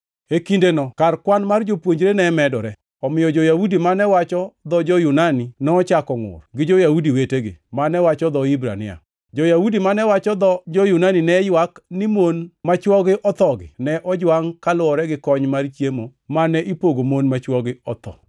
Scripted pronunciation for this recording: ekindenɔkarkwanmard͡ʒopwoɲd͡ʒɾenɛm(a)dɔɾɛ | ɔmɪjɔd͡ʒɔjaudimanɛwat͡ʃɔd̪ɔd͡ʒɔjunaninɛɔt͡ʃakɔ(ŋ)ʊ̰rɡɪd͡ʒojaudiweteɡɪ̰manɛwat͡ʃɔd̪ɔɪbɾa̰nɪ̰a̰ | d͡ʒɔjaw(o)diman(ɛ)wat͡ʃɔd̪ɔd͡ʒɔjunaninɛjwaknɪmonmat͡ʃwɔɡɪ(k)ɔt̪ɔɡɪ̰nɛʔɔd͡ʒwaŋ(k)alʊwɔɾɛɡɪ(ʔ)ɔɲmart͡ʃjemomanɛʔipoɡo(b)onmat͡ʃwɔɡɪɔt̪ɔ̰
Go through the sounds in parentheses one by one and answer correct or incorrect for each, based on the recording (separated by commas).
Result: incorrect, correct, incorrect, correct, incorrect, correct, incorrect, incorrect